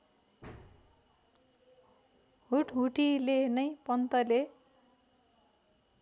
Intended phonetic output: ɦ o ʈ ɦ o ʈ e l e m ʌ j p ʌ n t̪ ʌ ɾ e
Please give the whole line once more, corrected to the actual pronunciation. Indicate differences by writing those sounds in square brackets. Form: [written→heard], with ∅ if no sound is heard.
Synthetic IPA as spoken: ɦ [o→u] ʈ ɦ [o→u] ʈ [e→i] l e [m→n] ʌ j p ʌ n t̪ ʌ [ɾ→l] e